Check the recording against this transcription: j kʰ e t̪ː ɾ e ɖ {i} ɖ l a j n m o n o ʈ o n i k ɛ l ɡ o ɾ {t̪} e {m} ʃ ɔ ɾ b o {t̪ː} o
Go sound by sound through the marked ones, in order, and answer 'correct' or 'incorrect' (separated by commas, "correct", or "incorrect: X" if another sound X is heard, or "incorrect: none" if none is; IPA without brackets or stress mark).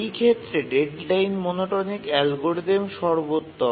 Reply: incorrect: e, incorrect: d̪, correct, correct